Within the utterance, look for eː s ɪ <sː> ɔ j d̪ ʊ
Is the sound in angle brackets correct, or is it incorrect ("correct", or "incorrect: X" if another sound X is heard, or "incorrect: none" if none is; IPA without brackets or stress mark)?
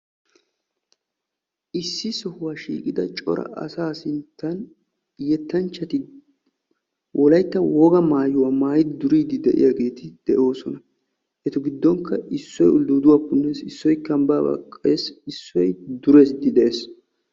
correct